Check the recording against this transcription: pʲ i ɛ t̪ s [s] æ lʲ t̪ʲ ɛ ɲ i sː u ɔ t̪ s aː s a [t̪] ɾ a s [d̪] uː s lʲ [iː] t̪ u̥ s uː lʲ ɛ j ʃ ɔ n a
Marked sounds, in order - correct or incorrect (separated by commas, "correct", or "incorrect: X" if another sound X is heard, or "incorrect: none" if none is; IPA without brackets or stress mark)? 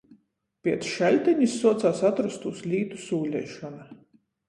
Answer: incorrect: ʃ, correct, incorrect: t̪, correct